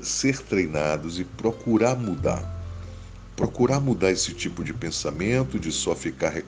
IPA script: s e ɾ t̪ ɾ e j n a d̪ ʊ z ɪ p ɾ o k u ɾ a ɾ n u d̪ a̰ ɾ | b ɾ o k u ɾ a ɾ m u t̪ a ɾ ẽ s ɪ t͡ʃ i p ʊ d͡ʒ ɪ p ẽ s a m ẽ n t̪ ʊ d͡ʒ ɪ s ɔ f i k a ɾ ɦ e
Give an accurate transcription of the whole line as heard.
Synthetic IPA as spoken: s e ɾ t̪ ɾ e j n a d̪ ʊ z ɪ p ɾ o k u ɾ a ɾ m u d̪ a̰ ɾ | p ɾ o k u ɾ a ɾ m u d̪ a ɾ e s ɪ t͡ʃ i p ʊ d͡ʒ ɪ p ẽ s a m ẽ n t̪ ʊ d͡ʒ ɪ s ɔ f i k a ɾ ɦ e